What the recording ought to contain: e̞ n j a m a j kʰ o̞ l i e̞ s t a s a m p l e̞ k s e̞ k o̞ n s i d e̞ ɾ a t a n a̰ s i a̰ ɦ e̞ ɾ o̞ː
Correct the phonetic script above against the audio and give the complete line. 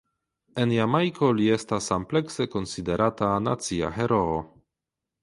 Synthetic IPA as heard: e̞ n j a m a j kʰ o̞ l i e̞ s t a s a m p l e̞ k s e̞ k o̞ n s i d e̞ ɾ a t a n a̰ t͡s i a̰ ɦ e̞ ɾ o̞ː